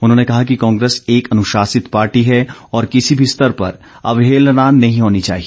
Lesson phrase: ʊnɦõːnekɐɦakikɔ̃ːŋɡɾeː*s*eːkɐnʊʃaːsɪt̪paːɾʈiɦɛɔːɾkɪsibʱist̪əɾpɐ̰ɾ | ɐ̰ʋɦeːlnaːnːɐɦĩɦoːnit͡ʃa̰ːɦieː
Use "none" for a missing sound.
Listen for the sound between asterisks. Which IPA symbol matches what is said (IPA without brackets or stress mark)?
s